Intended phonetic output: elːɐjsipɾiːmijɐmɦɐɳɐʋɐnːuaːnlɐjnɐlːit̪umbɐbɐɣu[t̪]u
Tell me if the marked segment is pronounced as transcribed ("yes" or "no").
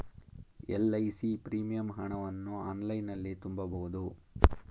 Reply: no